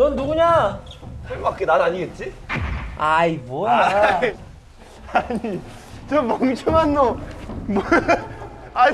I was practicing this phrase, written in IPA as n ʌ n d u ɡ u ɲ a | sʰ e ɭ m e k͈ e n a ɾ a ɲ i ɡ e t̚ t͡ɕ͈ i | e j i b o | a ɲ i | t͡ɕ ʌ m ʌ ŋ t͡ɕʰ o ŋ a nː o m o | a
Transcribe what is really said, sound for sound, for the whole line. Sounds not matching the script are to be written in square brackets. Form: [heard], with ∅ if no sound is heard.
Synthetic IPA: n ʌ n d u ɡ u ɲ a | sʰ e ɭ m [a] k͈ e n a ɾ a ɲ i ɡ e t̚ t͡ɕ͈ i | [a] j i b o | a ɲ i | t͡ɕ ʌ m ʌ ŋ t͡ɕʰ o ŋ a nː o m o | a